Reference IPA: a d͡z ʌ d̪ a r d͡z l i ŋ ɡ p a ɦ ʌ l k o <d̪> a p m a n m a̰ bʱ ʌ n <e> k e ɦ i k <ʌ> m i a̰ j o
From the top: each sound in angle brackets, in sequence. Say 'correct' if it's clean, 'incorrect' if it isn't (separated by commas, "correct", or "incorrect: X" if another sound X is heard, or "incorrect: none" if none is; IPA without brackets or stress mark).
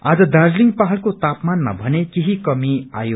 incorrect: t̪, correct, correct